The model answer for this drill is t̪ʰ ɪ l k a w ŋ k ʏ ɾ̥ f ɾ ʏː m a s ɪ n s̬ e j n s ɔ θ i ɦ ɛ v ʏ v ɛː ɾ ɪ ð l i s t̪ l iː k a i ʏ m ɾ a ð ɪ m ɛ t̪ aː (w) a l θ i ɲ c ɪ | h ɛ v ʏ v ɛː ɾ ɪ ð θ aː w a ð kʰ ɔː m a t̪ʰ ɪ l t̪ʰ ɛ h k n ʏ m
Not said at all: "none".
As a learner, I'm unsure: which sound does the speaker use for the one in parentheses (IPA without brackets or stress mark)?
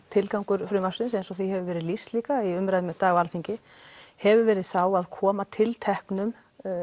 ɣ